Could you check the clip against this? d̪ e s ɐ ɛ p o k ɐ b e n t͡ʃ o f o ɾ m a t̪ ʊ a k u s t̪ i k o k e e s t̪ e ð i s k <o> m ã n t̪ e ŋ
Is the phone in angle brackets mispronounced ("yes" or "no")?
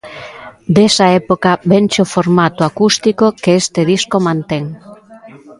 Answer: no